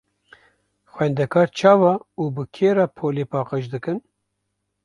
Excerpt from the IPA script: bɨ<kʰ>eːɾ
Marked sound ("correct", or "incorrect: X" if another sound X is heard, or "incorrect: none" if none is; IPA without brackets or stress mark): correct